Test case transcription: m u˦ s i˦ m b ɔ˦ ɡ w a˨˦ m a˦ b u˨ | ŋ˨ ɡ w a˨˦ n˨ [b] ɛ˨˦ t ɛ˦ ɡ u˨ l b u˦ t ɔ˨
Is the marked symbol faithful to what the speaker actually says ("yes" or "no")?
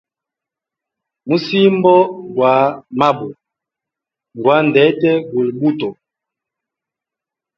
no